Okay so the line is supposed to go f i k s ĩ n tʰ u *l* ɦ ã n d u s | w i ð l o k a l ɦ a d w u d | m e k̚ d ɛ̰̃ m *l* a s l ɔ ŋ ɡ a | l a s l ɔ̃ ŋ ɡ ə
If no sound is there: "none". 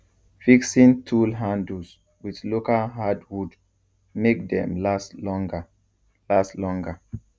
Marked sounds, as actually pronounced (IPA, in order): l, l

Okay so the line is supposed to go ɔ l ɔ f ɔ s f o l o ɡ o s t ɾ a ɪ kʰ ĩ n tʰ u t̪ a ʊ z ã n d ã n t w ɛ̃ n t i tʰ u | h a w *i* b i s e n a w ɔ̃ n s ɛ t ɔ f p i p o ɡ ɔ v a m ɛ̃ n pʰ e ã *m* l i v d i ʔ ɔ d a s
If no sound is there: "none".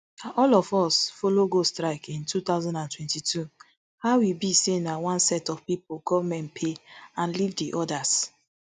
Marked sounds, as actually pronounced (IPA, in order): i, n

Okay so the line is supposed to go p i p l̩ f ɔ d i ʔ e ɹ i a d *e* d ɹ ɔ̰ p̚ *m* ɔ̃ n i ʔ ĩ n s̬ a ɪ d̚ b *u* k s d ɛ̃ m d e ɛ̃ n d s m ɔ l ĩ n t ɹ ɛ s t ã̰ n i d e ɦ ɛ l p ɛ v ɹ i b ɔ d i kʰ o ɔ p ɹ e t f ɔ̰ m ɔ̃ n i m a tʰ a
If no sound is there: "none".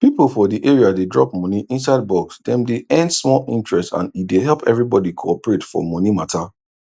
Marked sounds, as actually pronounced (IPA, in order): e, m, ɔ

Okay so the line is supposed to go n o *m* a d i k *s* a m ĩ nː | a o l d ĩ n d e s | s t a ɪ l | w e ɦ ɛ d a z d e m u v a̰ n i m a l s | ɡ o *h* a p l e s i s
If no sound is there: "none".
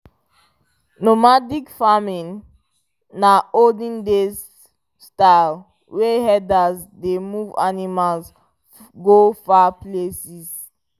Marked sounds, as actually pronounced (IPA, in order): m, f, f

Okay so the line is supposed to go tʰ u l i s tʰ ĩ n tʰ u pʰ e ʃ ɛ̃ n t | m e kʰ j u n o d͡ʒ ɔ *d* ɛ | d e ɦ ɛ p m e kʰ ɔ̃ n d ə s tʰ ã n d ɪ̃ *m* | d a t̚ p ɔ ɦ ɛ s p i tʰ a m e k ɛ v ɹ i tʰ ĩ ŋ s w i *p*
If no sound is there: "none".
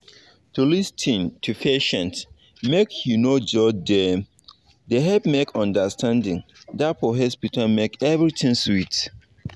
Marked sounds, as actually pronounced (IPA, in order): d, ŋ, t

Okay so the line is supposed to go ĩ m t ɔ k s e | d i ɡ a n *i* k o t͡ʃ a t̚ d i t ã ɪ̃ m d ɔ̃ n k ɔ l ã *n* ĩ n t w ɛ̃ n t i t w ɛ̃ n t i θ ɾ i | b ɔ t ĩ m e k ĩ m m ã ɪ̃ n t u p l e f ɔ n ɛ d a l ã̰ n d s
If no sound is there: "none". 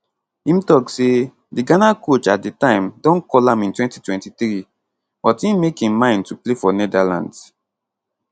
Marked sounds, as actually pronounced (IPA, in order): a, m

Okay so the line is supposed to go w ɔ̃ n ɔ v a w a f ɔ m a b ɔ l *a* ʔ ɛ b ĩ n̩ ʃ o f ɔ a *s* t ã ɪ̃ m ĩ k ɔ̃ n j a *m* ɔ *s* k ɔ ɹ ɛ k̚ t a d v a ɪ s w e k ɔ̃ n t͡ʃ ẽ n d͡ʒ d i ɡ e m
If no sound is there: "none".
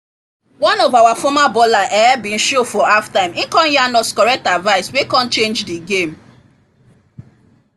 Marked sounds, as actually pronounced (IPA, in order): a, f, n, s

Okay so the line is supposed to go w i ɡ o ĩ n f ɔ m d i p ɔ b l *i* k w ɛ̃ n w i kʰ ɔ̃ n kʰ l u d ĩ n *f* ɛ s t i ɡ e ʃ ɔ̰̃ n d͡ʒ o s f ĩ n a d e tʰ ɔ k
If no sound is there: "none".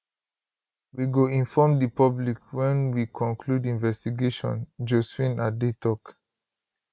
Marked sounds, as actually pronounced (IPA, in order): i, v

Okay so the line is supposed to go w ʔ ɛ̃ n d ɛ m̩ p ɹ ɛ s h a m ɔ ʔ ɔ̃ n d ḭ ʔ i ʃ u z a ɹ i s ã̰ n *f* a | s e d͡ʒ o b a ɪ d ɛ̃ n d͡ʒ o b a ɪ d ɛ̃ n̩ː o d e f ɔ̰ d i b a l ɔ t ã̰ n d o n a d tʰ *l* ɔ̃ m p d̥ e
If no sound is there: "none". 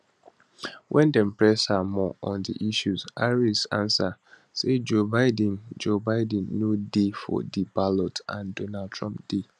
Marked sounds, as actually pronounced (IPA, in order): s, ɹ

